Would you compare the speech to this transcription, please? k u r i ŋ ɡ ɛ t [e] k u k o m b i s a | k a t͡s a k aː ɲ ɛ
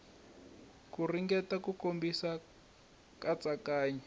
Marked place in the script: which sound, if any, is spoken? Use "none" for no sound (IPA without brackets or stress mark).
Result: a